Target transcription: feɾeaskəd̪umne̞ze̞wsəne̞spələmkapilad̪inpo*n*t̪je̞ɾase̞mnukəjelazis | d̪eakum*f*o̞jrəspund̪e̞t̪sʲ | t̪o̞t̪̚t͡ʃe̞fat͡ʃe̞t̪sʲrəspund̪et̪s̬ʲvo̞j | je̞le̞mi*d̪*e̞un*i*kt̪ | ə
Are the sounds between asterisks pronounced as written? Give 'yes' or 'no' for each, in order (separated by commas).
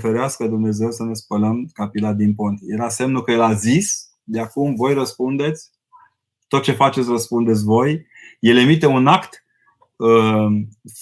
yes, no, no, no